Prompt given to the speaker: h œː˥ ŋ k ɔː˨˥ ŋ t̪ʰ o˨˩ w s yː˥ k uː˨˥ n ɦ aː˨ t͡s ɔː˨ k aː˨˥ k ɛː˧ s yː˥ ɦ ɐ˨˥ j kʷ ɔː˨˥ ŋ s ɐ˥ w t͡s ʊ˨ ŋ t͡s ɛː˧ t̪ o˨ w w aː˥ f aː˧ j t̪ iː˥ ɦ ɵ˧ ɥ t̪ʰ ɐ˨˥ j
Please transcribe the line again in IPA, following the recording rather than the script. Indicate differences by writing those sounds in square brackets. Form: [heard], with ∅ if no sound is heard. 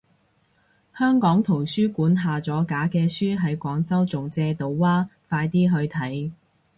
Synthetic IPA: h œː˥ ŋ k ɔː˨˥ ŋ t̪ʰ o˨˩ w s yː˥ k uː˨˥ n ɦ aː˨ t͡s [ɔː˨˥] k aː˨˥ k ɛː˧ s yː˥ ɦ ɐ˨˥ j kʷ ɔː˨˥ ŋ s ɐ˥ w t͡s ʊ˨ ŋ t͡s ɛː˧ t̪ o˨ w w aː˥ f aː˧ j t̪ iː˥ ɦ ɵ˧ ɥ t̪ʰ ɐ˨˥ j